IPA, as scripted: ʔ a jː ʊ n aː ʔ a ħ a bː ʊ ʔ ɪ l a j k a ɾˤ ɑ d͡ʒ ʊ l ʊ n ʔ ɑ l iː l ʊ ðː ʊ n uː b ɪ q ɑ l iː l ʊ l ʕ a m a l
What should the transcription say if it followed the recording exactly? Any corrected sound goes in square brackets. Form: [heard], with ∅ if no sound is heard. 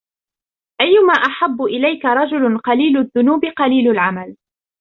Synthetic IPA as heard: ʔ a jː ʊ [m] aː ʔ a ħ a bː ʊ ʔ ɪ l a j k a ɾˤ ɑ d͡ʒ ʊ l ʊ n [q] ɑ l iː l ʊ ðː ʊ n uː b ɪ q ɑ l iː l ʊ l ʕ a m a l